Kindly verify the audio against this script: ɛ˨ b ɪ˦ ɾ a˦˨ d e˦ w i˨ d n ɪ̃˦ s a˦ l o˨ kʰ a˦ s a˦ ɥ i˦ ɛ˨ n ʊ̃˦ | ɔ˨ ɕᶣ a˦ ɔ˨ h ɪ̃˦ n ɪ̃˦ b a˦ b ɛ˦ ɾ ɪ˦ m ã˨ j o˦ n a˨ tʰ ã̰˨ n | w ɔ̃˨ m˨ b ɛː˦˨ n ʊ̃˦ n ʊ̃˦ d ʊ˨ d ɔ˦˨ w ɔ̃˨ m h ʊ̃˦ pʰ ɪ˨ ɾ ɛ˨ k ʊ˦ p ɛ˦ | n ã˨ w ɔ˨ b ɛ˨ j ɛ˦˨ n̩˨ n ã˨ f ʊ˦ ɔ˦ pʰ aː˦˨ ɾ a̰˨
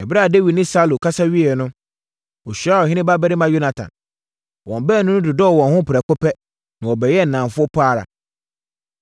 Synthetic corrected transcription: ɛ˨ b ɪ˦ ɾ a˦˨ d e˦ w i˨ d n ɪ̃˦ s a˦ l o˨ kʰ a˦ s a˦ ɥ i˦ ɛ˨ n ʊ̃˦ | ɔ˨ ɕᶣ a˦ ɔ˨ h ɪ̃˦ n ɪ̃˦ b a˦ b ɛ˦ ɾ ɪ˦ m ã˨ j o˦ n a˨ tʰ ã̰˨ n | w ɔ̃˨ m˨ b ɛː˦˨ n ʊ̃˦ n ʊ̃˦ d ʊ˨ d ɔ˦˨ w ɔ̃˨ n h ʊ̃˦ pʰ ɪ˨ ɾ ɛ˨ k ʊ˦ p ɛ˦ | n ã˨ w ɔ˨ b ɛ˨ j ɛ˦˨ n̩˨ n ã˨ f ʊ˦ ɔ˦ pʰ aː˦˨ ɾ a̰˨